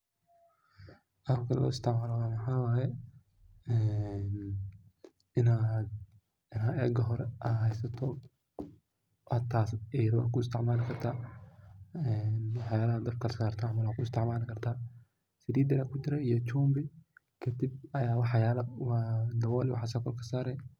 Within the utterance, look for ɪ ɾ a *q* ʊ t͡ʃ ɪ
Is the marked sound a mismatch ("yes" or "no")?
yes